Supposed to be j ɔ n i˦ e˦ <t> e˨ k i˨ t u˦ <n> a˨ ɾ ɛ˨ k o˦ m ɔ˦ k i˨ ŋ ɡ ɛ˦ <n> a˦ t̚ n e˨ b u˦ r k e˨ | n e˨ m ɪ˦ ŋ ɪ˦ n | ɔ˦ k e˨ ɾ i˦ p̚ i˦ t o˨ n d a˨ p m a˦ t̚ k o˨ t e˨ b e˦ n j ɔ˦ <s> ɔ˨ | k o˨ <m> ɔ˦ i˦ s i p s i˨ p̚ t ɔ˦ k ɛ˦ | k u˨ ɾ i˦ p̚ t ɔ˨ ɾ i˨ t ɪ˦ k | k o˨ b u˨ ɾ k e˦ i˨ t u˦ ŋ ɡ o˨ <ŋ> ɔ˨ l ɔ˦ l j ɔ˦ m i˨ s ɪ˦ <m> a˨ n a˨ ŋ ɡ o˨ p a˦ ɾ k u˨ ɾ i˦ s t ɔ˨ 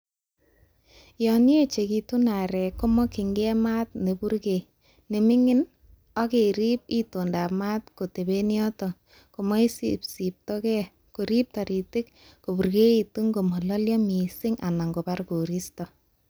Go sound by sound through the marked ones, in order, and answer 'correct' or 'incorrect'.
incorrect: t͡ʃ, correct, incorrect: m, incorrect: t, correct, incorrect: m, incorrect: ŋ

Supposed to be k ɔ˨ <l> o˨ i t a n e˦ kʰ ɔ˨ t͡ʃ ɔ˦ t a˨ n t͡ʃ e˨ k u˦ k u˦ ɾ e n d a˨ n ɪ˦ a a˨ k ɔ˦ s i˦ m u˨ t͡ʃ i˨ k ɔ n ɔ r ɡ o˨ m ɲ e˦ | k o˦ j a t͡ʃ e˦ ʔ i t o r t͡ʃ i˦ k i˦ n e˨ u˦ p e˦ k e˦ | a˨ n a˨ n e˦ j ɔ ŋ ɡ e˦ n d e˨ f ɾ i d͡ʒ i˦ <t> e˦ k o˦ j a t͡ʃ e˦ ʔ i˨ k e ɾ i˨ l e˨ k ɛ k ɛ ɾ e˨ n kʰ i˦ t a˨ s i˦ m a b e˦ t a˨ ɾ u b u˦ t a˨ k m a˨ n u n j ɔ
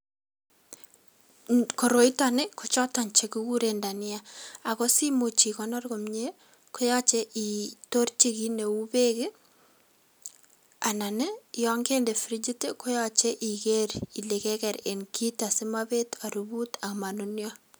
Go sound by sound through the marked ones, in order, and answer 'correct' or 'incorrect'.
incorrect: ɾ, correct

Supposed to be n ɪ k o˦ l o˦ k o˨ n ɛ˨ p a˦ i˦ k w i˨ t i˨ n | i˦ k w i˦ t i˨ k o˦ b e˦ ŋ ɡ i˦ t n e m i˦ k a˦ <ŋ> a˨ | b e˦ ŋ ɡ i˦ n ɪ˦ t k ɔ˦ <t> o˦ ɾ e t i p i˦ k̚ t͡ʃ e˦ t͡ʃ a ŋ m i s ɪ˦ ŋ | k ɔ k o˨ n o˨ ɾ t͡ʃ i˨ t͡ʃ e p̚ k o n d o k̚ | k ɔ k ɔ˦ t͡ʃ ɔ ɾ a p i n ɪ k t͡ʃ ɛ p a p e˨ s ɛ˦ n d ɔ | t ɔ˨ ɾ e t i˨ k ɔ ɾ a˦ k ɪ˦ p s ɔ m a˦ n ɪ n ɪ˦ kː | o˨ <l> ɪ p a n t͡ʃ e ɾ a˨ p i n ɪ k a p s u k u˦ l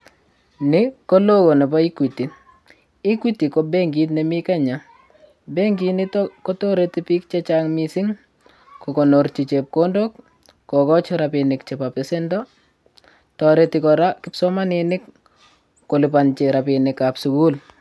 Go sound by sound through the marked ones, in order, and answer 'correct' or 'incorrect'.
incorrect: ɲ, correct, correct

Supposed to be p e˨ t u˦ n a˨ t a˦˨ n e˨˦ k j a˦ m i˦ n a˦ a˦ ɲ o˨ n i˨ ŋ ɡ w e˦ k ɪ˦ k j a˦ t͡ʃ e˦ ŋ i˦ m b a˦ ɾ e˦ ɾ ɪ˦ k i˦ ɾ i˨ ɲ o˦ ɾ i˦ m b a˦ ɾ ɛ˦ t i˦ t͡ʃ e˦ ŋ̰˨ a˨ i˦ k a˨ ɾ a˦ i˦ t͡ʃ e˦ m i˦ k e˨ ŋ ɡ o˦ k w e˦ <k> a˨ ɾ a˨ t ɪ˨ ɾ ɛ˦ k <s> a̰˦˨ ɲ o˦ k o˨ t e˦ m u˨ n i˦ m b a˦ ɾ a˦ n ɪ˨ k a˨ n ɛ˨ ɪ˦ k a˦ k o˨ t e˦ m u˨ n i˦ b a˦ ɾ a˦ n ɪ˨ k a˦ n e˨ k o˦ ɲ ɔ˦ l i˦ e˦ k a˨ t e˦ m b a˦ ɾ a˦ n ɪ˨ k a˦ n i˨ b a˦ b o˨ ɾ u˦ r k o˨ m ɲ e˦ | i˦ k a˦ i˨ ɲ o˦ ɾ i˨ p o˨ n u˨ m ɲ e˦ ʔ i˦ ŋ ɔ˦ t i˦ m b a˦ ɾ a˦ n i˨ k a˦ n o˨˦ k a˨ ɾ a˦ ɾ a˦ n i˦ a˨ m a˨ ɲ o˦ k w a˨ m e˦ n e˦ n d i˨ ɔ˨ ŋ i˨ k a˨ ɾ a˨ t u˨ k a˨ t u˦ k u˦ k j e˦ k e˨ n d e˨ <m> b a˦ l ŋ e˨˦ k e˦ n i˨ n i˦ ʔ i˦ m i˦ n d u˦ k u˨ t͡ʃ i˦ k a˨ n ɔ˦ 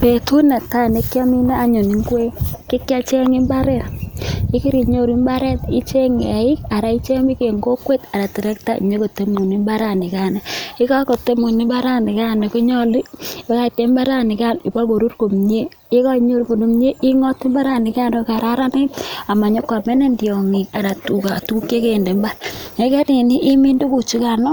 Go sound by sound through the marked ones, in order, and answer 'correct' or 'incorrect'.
incorrect: t, incorrect: t, correct

